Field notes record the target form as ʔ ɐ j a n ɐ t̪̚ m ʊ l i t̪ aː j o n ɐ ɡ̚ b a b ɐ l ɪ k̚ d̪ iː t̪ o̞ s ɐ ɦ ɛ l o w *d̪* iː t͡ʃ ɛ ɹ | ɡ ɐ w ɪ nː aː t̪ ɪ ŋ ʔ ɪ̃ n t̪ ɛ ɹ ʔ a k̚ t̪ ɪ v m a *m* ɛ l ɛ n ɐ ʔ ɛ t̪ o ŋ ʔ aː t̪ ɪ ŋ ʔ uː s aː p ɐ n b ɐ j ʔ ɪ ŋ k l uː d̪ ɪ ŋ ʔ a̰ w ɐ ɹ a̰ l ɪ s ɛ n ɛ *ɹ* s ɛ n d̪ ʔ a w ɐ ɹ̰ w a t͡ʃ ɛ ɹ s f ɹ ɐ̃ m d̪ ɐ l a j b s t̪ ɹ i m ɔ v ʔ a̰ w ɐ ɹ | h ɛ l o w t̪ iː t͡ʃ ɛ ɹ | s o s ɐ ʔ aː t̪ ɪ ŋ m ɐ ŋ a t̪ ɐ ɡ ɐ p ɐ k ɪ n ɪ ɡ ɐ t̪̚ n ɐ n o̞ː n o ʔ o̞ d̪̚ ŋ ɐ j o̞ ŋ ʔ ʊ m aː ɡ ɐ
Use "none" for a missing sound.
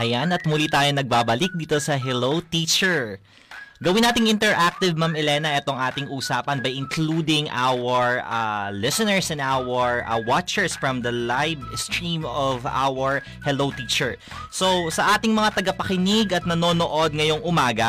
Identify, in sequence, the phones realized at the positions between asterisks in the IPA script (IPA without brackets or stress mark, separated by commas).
t̪, m, ɹ